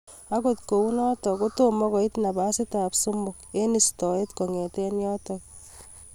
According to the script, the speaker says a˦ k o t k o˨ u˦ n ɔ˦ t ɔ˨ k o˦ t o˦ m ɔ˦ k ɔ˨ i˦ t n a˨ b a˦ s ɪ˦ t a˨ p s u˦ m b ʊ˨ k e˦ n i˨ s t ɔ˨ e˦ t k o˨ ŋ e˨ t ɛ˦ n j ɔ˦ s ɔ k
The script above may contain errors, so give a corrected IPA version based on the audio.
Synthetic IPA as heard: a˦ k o t k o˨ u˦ n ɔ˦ t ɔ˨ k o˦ t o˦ m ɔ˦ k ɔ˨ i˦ t n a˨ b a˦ s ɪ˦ t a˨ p s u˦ m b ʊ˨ k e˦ n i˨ s t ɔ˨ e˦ t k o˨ ŋ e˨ t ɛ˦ n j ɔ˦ t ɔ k